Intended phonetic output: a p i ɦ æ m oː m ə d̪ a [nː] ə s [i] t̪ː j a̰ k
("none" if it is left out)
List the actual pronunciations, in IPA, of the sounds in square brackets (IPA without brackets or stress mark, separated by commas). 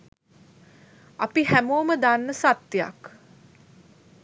nː, a